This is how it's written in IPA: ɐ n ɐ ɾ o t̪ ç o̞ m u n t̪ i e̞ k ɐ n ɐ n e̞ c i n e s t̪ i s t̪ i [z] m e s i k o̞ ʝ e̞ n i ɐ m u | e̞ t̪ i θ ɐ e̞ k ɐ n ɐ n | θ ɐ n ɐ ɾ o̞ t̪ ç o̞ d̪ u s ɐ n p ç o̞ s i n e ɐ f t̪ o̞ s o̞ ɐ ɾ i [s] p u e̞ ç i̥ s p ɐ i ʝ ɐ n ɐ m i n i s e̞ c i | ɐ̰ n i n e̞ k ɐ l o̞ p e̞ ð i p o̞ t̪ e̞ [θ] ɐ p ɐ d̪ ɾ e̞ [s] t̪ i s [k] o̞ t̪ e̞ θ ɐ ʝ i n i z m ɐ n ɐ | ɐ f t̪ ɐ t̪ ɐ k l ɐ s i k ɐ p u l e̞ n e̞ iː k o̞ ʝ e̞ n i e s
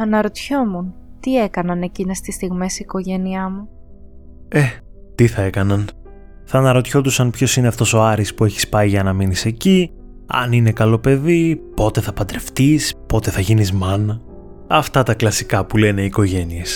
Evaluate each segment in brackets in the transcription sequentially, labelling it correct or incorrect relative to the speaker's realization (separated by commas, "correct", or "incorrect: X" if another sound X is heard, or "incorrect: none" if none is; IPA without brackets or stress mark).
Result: incorrect: ɣ, correct, correct, incorrect: f, incorrect: p